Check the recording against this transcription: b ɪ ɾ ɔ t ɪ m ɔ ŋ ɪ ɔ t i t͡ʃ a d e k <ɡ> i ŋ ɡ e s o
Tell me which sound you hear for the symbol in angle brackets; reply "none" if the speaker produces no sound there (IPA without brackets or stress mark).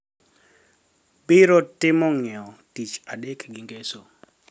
ɡ